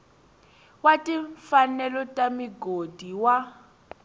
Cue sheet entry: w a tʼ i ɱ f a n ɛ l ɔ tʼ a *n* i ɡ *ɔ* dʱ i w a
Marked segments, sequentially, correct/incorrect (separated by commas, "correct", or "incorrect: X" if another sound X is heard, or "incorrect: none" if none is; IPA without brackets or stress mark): incorrect: m, incorrect: o